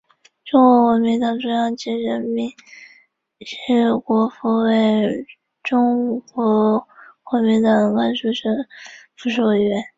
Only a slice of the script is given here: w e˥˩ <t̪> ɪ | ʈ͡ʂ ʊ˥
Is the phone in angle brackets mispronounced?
yes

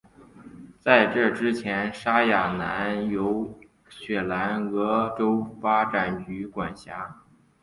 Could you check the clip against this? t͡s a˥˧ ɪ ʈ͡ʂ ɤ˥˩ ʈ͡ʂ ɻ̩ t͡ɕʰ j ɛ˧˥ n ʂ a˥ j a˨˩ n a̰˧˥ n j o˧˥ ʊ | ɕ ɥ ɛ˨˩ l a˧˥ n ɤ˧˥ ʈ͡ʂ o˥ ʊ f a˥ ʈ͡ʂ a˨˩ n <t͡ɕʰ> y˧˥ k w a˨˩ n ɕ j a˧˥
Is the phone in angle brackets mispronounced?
yes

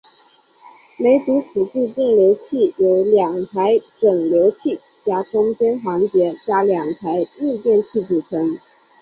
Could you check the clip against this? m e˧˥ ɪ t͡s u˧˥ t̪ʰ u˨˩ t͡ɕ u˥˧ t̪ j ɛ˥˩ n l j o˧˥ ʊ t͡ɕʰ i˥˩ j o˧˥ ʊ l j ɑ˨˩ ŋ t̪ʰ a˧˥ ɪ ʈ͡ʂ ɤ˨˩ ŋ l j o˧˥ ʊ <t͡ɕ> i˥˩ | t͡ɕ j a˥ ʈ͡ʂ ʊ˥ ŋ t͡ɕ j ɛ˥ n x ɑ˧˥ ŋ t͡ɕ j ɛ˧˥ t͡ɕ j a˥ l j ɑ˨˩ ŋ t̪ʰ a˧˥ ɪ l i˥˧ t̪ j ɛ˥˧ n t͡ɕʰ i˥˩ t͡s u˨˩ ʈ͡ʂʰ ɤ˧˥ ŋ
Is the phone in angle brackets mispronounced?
yes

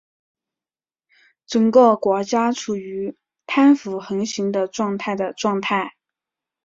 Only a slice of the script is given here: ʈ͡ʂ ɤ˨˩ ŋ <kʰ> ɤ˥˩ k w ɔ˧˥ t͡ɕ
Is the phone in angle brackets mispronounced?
yes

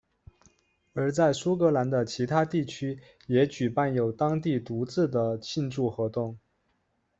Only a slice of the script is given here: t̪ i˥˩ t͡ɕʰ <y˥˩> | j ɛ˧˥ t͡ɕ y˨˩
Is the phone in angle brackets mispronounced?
yes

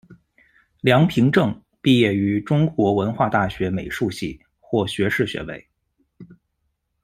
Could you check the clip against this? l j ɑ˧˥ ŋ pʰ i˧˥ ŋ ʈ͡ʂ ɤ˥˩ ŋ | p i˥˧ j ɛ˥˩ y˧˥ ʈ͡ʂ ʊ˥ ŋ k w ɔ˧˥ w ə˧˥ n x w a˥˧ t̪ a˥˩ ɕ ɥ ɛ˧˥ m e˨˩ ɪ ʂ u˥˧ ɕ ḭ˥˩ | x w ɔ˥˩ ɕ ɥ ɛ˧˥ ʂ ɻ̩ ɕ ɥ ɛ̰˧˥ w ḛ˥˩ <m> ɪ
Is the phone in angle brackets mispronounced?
yes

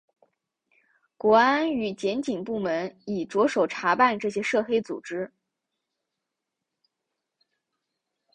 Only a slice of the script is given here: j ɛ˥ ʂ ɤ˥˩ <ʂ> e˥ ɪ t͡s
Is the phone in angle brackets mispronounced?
yes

